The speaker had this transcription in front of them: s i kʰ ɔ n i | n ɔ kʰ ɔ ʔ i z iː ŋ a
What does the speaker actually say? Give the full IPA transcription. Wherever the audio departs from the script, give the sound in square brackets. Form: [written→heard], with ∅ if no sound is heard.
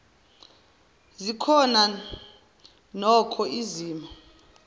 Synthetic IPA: [s→z] i kʰ ɔ n [i→a] | n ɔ kʰ ɔ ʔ i z iː [ŋ→m] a